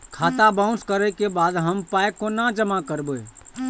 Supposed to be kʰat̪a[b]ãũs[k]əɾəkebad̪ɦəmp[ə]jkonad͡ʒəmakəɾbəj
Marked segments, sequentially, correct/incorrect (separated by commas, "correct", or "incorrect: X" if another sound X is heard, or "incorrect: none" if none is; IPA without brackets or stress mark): correct, correct, incorrect: a